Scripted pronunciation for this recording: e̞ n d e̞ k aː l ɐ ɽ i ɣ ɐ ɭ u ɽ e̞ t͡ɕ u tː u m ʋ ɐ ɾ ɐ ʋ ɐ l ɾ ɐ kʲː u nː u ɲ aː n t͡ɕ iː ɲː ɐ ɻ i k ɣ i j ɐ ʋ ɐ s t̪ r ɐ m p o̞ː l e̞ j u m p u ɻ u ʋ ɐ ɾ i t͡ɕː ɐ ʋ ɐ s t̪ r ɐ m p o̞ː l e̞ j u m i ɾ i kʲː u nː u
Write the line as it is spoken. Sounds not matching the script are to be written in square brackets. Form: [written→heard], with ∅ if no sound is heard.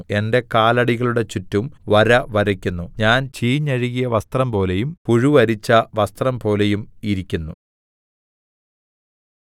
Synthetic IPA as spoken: e̞ n d e̞ k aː l ɐ ɽ i ɣ ɐ ɭ u ɽ e̞ t͡ɕ u tː u m ʋ ɐ ɾ ɐ ʋ ɐ [l→∅] ɾ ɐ kʲː u nː u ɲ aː n t͡ɕ iː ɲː ɐ ɻ i [k→∅] ɣ i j ɐ ʋ ɐ s t̪ r ɐ m p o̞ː l e̞ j u m p u ɻ u ʋ ɐ ɾ i t͡ɕː ɐ ʋ ɐ s t̪ r ɐ m p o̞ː l e̞ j u m i ɾ i kʲː u nː u